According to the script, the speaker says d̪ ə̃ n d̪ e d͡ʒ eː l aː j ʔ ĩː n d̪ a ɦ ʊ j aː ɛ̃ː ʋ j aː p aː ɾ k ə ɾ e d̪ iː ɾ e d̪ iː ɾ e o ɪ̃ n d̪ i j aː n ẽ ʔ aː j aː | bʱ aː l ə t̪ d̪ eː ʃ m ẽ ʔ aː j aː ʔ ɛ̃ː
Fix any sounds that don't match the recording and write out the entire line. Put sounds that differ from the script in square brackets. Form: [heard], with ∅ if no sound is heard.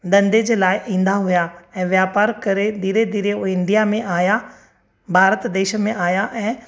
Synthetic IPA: d̪ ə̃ n d̪ e d͡ʒ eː l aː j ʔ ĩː n d̪ a ɦ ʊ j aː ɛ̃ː ʋ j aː p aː ɾ k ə ɾ e d̪ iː ɾ e d̪ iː ɾ e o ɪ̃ n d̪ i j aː [m] ẽ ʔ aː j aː | bʱ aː [ɾ] ə t̪ d̪ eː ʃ m ẽ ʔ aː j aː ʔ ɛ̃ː

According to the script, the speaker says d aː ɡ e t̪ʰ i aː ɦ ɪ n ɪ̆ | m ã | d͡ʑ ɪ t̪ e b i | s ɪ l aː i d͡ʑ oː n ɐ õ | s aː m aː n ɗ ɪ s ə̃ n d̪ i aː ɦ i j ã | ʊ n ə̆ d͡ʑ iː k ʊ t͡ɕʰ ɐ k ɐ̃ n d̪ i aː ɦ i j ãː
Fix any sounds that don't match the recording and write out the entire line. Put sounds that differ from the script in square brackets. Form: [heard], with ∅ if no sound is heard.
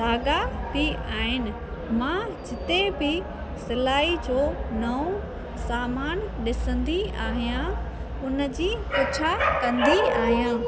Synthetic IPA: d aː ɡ [a] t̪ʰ i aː ɦ ɪ n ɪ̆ | m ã | d͡ʑ ɪ t̪ e b [ɪ] | s ɪ l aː i d͡ʑ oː n ɐ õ | s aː m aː n ɗ ɪ s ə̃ n d̪ i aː ɦ i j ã | ʊ n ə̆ d͡ʑ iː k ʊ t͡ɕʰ [a] k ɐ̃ n d̪ i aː ɦ i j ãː

